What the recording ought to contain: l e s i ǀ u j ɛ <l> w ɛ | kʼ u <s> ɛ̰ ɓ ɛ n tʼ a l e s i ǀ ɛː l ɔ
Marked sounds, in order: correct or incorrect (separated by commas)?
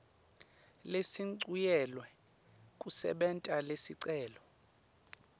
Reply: correct, correct